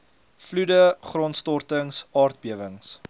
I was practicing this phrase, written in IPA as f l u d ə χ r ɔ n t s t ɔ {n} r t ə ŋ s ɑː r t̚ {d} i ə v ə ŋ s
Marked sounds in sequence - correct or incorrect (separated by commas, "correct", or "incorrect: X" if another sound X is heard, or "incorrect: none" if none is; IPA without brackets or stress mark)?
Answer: incorrect: none, incorrect: b